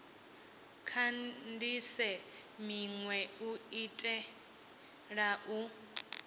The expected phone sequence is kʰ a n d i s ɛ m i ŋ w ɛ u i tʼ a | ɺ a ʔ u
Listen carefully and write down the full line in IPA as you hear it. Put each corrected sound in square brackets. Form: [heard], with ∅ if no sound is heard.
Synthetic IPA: kʰ a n d i s ɛ m i ŋ w ɛ u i tʼ [ɛ] | ɺ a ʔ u